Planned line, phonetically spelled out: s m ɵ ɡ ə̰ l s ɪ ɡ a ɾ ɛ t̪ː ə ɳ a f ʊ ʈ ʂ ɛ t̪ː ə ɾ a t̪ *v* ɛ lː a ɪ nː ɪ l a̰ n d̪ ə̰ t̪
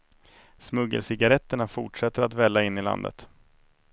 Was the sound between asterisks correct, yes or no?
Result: yes